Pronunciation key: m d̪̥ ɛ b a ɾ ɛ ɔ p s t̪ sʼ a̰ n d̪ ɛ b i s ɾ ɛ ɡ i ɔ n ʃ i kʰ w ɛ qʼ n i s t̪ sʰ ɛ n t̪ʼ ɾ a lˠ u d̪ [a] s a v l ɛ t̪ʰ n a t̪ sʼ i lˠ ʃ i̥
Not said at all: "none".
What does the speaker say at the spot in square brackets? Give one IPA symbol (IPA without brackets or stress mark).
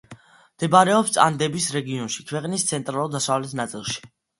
a